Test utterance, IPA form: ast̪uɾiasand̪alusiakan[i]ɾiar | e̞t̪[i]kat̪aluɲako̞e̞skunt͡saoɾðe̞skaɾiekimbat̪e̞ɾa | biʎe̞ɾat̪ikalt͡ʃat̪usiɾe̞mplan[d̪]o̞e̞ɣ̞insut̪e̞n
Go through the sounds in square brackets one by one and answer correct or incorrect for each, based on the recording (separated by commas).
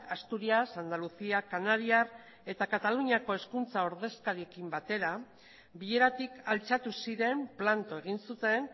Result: incorrect, incorrect, incorrect